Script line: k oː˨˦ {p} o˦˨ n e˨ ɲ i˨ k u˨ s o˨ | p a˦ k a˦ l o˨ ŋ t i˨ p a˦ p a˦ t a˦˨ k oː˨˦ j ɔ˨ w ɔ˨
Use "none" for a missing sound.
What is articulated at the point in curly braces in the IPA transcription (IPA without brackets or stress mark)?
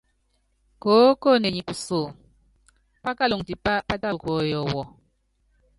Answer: k